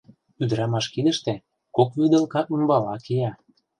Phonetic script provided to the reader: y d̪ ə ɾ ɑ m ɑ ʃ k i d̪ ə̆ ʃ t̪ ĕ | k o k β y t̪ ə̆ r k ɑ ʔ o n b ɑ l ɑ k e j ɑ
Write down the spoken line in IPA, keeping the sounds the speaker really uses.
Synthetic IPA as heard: y d̪ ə ɾ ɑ m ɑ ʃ k i d̪ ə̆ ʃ t̪ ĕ | k o k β y d̪ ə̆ l k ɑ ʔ u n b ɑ l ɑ k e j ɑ